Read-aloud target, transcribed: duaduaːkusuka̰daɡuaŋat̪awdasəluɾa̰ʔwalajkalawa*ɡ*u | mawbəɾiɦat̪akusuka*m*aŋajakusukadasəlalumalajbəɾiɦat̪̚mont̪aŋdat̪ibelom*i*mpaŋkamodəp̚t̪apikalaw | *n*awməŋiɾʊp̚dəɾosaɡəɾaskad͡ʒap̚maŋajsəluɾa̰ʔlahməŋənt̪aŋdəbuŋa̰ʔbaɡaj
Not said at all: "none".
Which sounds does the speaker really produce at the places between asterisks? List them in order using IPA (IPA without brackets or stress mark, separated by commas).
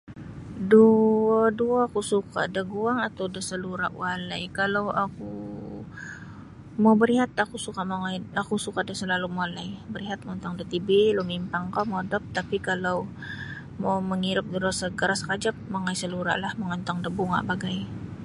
k, m, i, m